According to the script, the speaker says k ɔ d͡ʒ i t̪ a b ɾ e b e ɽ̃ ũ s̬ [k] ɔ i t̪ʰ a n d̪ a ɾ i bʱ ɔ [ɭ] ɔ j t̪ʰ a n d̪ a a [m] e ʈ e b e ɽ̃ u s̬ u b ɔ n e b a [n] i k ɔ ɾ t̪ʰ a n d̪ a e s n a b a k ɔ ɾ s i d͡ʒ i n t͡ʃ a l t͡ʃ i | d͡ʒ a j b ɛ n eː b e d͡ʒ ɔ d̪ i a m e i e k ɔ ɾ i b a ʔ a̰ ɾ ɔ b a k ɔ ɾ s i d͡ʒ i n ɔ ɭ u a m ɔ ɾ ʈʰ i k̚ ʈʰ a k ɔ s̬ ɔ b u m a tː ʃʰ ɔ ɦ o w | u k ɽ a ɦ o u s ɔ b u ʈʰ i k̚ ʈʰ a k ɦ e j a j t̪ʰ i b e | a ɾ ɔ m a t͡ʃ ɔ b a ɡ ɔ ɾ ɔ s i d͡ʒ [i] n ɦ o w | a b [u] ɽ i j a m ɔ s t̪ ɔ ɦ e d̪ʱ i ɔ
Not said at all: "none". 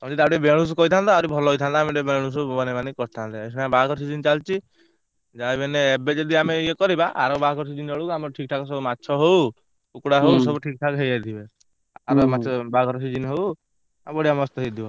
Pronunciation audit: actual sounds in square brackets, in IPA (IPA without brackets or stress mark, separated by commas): k, l, m, n, i, ɔ